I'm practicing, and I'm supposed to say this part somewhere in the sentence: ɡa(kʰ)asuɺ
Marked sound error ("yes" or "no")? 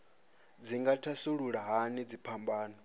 yes